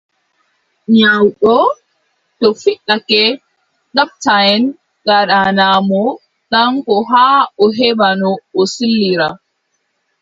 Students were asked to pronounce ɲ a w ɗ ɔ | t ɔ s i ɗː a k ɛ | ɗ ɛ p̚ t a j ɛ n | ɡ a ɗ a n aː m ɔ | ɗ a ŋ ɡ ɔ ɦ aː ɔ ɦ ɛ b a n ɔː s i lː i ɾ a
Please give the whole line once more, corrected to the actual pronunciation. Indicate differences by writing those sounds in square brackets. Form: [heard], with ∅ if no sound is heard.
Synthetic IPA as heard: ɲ a w ɗ ɔ | t ɔ [f] i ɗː a k ɛ | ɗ [a] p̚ t a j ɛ n | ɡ a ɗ a n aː m ɔ | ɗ a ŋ [k] ɔ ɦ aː ɔ ɦ ɛ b a n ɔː s i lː i ɾ a